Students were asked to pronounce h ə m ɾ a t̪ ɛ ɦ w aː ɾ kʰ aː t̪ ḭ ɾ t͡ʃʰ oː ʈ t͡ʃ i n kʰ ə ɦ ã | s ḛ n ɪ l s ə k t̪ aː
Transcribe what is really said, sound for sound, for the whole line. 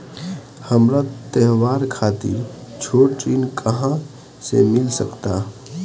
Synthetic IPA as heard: h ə m ɾ a t̪ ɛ ɦ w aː ɾ kʰ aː t̪ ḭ ɾ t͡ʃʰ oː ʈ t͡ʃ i n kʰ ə ɦ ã | s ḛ m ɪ l s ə k t̪ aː